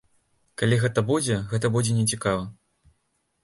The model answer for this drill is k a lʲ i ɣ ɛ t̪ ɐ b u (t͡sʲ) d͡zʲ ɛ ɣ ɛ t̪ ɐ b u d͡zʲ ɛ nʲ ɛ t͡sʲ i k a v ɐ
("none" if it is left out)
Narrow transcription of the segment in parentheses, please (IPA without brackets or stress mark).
none